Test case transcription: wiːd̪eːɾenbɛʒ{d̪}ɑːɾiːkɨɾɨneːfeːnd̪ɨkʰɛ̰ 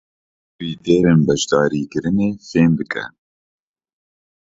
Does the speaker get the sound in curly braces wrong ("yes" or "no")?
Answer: no